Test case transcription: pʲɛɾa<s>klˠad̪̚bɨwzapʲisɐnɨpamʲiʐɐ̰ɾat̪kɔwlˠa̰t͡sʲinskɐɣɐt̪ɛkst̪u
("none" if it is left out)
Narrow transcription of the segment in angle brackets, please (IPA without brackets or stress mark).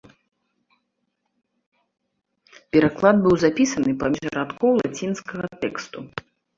none